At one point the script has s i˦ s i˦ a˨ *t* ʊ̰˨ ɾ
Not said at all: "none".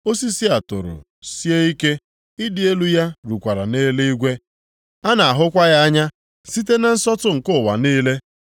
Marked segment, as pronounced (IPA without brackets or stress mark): t